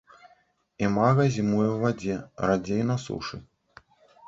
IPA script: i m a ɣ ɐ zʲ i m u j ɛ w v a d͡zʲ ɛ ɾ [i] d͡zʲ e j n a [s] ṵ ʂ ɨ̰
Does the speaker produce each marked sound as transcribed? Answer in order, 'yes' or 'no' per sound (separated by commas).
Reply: no, yes